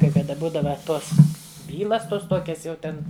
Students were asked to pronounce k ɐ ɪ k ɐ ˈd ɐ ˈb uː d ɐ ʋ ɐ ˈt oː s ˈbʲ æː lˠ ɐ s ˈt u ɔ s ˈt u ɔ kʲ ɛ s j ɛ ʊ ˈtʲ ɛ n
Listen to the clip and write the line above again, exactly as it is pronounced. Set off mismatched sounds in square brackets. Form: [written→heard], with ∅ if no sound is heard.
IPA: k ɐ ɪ k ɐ ˈd ɐ ˈb uː d ɐ ʋ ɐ ˈt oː s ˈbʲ [æː→iː] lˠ ɐ s ˈt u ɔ s ˈt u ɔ kʲ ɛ s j ɛ ʊ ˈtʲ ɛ n